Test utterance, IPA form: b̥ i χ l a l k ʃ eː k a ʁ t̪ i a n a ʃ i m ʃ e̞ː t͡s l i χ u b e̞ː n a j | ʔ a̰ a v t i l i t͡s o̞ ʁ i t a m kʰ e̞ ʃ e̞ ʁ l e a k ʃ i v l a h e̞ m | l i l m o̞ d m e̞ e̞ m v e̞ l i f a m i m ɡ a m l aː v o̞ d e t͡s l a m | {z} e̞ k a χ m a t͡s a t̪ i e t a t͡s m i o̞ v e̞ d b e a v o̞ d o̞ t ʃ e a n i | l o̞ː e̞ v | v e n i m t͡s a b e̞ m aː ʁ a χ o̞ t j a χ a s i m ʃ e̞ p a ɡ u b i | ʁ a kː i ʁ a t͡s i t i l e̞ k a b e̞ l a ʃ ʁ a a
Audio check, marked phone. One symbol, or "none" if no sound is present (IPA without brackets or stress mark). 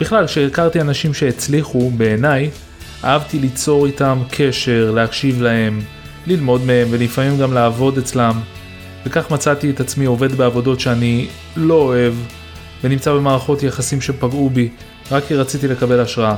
v